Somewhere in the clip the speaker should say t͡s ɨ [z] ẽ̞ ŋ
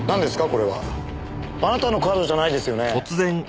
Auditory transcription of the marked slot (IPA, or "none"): z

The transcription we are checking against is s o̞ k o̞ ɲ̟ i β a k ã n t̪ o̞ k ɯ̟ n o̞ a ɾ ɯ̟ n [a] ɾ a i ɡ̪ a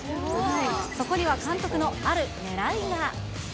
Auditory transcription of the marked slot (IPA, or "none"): e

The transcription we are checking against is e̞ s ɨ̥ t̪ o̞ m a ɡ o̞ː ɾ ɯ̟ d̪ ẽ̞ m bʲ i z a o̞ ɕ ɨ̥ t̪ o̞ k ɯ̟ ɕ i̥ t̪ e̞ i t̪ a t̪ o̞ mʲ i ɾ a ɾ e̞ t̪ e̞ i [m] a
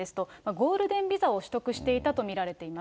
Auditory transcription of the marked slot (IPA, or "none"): m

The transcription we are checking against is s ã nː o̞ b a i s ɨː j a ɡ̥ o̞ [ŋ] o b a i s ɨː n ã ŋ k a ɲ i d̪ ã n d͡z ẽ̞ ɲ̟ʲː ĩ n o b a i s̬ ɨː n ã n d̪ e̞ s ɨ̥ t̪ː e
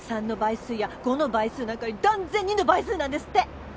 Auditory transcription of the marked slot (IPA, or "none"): n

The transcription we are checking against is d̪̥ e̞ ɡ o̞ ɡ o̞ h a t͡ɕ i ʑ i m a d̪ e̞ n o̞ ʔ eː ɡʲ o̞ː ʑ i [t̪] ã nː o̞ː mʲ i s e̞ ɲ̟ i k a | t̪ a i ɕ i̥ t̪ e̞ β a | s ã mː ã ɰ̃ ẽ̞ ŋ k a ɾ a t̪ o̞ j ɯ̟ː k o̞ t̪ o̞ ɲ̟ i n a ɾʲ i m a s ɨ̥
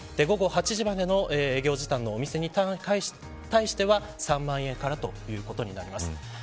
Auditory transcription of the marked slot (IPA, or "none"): t̪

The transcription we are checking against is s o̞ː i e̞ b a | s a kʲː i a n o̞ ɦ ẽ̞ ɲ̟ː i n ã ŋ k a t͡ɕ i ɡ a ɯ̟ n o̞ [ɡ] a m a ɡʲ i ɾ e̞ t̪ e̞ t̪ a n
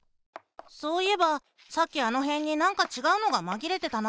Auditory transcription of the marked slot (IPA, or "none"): ɡ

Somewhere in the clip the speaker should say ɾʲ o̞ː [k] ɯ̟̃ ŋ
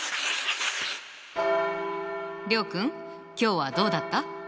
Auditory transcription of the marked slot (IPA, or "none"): k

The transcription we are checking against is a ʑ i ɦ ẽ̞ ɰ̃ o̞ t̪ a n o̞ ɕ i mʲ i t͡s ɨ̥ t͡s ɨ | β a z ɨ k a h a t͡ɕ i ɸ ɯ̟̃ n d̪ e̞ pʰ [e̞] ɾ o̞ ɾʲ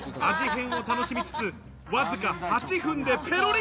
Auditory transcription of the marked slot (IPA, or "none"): e̞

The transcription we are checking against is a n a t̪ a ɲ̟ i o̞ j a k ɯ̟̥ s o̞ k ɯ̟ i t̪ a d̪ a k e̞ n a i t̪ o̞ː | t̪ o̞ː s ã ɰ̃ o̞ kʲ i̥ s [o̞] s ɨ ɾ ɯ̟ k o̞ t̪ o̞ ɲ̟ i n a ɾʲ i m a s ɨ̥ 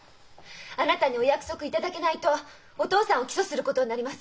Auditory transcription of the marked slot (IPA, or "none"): o̞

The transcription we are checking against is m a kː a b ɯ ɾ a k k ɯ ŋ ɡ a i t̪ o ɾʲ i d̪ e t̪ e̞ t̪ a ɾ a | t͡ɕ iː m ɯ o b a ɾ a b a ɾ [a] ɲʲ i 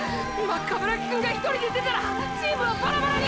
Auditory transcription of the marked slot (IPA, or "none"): a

